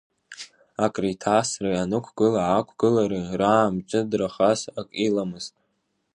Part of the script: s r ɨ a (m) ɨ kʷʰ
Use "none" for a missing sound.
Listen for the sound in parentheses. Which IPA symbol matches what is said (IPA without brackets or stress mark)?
n